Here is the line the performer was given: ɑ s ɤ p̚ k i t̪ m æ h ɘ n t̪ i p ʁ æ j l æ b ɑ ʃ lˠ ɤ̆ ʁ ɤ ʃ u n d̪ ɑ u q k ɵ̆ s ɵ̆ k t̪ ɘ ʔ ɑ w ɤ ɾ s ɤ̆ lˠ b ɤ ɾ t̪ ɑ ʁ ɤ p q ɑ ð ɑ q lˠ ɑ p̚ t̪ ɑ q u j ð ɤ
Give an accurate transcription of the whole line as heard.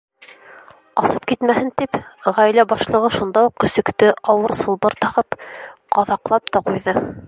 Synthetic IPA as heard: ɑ s ɤ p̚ k i t̪ m æ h ɘ n t̪ i p ʁ æ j l æ b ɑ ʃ lˠ ɤ̆ ʁ ɤ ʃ u n d̪ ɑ u q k ɵ̆ s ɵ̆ k t̪ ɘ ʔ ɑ w ɤ ɾ s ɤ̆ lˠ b ɤ ɾ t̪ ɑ ʁ ɤ p q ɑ ð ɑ q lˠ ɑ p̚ t̪ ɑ q u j ð ɤ